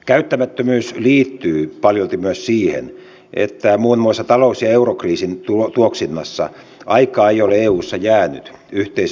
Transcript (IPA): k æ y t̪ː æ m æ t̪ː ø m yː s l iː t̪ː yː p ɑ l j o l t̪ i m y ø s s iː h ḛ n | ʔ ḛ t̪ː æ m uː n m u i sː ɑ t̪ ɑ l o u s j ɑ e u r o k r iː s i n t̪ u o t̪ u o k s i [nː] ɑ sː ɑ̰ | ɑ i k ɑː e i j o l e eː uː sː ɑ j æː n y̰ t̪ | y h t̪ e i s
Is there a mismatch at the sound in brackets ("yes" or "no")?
no